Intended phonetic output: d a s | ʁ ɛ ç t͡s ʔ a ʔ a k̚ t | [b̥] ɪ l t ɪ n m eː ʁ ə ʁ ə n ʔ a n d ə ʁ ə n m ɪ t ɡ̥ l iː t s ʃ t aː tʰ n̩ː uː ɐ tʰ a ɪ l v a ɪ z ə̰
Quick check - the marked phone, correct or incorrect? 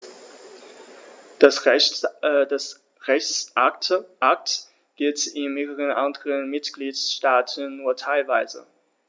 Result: incorrect